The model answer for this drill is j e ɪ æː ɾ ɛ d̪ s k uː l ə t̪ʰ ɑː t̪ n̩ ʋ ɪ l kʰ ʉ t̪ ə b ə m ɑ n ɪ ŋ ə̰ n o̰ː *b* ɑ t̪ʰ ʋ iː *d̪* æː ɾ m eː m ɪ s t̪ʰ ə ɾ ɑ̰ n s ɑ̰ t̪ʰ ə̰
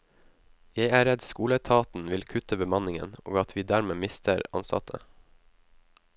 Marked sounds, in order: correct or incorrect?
incorrect: ɡ, correct

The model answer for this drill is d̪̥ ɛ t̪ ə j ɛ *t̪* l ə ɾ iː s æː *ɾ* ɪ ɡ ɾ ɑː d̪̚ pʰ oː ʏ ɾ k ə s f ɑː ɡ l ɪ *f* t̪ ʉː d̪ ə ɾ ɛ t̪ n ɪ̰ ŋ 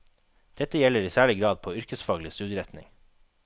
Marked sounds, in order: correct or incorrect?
incorrect: none, incorrect: ɭ, incorrect: s

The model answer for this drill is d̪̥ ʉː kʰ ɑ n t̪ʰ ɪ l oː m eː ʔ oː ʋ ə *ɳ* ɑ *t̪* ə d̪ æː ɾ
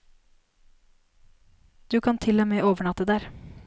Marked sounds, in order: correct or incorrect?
correct, correct

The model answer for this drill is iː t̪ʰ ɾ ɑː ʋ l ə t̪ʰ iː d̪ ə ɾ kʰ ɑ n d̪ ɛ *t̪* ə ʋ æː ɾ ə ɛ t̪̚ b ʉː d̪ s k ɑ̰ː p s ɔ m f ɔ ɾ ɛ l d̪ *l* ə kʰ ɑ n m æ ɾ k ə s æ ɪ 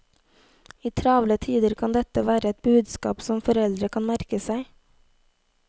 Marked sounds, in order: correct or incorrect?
correct, incorrect: ɾ

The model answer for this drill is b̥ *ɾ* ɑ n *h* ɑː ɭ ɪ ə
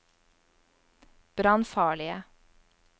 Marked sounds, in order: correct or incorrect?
correct, incorrect: f

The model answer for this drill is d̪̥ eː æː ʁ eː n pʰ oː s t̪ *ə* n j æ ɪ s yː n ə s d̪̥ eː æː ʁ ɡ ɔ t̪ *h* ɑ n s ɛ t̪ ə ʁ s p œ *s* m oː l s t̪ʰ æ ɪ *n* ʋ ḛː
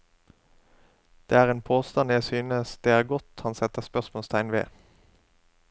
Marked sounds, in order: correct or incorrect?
incorrect: ɑ, correct, correct, correct

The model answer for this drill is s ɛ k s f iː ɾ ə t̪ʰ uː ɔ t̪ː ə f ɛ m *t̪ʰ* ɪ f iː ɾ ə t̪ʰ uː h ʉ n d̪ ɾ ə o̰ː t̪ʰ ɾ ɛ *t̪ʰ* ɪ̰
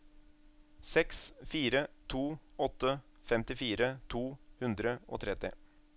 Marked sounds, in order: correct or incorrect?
incorrect: t̪, incorrect: t̪

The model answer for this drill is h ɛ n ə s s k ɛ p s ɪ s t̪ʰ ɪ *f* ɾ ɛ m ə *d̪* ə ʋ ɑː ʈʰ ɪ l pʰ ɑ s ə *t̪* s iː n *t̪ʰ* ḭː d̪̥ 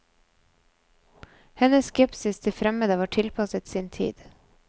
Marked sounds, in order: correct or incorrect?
correct, correct, correct, correct

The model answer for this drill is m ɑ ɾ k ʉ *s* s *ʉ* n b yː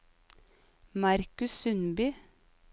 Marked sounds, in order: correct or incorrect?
correct, correct

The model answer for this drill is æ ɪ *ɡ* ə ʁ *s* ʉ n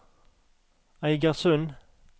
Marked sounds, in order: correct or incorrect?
correct, correct

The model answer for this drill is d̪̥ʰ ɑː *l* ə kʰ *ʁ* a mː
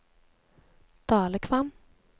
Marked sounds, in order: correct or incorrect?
correct, incorrect: v

